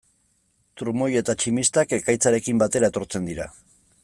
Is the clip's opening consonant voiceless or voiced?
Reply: voiceless